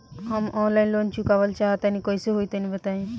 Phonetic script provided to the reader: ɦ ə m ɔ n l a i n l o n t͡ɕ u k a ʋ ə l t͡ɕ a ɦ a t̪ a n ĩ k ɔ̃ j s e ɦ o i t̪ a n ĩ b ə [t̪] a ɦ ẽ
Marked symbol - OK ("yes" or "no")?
yes